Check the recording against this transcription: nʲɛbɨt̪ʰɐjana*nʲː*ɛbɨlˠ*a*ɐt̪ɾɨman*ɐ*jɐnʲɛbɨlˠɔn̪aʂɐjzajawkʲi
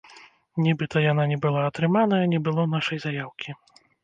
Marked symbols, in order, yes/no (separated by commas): no, yes, yes